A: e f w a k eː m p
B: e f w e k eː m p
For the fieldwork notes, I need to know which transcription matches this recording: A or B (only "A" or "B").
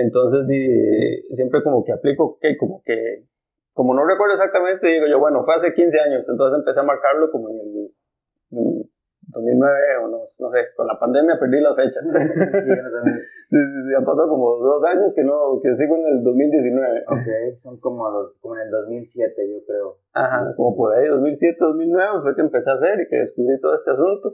B